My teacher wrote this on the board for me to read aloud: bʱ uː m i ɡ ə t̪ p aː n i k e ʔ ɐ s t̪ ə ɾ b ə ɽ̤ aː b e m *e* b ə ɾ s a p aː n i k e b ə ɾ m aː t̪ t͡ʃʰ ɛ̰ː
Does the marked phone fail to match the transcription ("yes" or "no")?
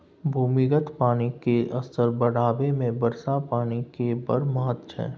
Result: yes